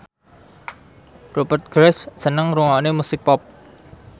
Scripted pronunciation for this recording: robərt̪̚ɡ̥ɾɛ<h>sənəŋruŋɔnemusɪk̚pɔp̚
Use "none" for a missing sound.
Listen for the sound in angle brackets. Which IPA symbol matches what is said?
s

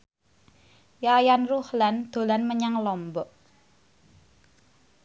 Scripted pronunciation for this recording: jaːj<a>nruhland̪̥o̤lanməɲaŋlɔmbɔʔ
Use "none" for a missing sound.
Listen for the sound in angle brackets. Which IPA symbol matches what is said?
a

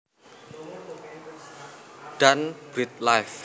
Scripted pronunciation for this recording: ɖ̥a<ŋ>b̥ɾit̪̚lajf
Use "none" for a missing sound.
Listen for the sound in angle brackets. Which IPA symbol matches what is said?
n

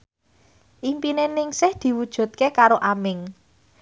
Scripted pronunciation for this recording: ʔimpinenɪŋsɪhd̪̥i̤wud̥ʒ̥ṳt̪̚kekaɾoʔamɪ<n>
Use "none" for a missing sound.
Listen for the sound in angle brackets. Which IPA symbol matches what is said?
ŋ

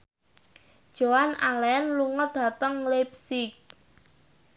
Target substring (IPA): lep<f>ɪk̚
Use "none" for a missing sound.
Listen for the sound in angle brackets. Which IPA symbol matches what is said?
s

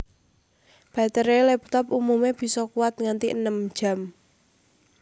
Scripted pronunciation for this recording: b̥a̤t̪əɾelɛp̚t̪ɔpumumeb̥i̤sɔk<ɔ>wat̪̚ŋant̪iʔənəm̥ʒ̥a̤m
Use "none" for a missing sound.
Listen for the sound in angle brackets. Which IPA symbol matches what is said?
u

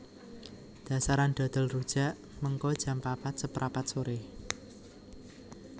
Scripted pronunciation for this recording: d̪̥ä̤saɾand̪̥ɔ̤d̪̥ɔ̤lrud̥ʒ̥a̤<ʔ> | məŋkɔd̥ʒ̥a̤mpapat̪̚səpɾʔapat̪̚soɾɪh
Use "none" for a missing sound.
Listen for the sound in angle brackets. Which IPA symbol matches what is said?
ʔ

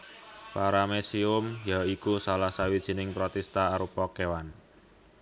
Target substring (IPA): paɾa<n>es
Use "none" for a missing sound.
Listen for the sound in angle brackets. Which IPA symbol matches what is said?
m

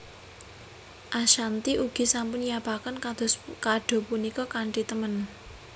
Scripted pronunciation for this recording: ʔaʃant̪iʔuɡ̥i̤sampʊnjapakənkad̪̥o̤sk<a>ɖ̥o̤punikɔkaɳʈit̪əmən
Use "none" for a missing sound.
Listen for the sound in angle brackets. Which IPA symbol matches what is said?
a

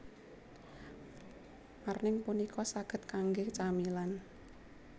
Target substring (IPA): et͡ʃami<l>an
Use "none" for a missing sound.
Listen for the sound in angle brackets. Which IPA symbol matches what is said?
l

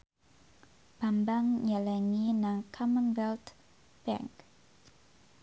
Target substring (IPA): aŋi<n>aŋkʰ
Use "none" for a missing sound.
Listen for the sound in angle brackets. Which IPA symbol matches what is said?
n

